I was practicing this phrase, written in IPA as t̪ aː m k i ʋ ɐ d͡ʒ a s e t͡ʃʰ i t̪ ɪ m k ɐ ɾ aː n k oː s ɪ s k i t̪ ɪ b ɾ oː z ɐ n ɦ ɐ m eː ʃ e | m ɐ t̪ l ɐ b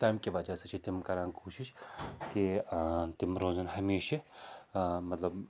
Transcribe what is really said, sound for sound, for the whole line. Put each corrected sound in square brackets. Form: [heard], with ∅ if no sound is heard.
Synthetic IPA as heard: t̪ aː m k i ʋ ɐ d͡ʒ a s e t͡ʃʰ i t̪ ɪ m k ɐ ɾ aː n k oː [ʃ] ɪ [ʃ] k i t̪ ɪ [m] ɾ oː z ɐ n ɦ ɐ m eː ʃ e | m ɐ t̪ l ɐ b